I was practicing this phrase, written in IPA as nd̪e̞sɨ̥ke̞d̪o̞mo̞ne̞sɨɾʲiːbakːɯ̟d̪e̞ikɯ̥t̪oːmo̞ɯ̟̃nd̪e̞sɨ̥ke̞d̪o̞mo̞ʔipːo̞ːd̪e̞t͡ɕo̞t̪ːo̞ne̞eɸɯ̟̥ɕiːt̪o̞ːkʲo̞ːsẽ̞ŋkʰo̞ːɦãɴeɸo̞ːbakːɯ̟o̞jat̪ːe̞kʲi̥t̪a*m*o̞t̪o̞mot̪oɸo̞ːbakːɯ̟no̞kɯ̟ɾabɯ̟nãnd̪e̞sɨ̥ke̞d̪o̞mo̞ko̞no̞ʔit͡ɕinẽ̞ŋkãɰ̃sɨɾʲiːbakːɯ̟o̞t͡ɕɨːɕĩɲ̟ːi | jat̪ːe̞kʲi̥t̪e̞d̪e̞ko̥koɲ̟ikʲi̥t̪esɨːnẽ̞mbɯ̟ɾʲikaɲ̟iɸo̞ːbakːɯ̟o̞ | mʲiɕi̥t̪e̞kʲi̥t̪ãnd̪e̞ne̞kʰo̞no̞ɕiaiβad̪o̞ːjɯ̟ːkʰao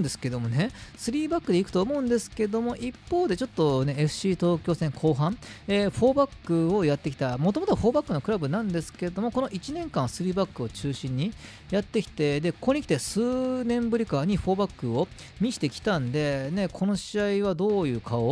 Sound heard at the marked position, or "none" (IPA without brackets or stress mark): m